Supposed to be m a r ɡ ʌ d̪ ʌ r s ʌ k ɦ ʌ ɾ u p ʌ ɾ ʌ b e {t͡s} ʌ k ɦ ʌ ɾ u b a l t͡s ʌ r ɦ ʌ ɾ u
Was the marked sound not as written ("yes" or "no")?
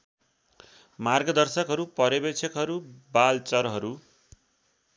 yes